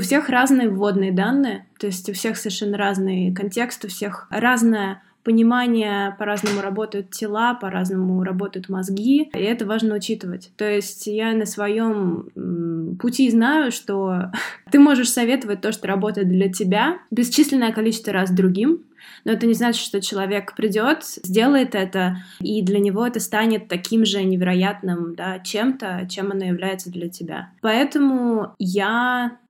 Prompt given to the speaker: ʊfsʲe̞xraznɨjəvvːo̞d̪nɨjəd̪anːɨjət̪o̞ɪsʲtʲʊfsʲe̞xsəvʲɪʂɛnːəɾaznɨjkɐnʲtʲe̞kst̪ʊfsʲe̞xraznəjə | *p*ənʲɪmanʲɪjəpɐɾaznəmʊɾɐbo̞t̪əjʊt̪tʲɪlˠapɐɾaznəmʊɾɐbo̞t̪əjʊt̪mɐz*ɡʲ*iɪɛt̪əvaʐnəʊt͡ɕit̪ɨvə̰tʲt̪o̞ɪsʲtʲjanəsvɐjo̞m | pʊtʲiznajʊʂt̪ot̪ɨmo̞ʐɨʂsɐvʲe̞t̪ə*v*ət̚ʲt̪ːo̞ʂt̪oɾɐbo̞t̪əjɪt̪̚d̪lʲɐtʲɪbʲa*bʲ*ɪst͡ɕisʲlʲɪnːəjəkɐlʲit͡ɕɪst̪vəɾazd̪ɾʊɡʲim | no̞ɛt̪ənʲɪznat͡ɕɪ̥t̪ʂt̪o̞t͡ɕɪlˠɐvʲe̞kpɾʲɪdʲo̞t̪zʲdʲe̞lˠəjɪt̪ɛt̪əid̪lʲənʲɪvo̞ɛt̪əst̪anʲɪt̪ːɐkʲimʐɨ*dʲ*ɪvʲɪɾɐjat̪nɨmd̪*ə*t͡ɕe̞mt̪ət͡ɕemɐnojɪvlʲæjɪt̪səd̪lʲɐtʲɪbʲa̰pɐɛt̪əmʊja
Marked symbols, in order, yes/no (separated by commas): yes, yes, yes, yes, no, no